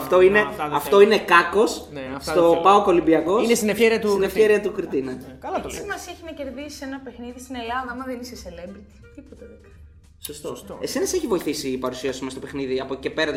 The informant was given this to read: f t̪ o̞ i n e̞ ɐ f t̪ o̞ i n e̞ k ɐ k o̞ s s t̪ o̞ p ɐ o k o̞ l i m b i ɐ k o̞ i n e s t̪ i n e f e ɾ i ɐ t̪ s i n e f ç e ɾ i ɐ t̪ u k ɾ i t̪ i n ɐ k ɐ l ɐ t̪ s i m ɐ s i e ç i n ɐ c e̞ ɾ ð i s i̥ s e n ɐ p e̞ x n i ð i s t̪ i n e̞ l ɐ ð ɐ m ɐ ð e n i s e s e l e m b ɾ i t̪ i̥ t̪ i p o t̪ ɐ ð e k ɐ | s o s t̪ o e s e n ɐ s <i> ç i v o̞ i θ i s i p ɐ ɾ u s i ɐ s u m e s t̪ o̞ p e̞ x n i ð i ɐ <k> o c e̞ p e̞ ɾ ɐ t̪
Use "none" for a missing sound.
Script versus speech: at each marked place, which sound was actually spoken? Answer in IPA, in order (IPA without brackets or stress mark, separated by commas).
e, p